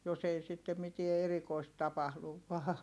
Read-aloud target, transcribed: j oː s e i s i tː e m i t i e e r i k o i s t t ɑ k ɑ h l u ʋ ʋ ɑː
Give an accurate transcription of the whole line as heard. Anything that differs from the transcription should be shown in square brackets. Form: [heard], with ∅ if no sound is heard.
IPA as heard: j [o] s e i s i tː e m i t i e e r i k o i s t t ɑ [p] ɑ h l u ʋ ʋ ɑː